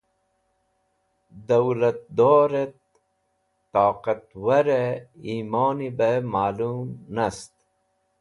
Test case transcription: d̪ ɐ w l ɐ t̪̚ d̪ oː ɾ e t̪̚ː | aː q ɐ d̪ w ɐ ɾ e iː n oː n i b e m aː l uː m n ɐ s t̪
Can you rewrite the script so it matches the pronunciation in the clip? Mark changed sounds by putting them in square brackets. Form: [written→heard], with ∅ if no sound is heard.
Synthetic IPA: d̪ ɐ w l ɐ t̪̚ d̪ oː ɾ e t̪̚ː | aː q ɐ [d̪→t̪] w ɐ ɾ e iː [n→m] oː n i b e m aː l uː m n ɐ s t̪